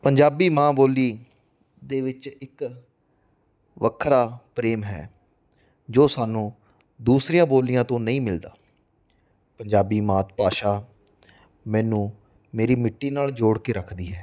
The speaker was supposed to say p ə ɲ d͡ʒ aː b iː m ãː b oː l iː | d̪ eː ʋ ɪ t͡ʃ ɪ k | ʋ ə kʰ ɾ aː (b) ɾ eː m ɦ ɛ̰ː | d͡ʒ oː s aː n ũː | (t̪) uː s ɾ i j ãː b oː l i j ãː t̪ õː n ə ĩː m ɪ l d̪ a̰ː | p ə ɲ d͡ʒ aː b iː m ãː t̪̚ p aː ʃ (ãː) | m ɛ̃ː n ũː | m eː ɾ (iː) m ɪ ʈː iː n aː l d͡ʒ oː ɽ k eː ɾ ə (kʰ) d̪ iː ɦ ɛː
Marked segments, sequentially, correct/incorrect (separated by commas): incorrect, incorrect, incorrect, correct, correct